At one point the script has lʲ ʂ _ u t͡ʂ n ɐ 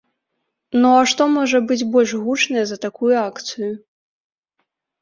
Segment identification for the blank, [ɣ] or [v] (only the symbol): ɣ